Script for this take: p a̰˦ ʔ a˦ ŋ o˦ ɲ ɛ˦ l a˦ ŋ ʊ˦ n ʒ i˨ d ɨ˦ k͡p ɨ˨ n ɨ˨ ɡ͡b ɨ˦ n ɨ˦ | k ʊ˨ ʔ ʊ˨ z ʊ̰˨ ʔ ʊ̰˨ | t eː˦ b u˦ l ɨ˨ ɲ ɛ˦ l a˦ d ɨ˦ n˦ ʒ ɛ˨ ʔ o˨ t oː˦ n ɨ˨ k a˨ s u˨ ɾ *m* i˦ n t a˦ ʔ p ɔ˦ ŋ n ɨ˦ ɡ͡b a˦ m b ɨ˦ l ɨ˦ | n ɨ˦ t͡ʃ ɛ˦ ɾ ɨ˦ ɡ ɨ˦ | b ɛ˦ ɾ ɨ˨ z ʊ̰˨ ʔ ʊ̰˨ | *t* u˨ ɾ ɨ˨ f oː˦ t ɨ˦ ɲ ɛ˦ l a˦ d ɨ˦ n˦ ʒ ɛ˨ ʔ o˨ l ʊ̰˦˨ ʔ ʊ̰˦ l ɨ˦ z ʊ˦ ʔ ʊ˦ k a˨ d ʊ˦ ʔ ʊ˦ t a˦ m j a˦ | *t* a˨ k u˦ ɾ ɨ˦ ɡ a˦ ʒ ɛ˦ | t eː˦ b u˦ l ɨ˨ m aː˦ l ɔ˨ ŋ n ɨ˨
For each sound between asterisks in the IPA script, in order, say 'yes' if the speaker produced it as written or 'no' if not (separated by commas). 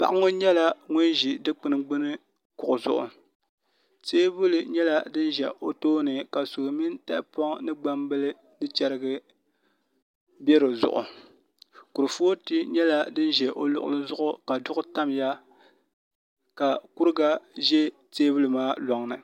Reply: yes, no, no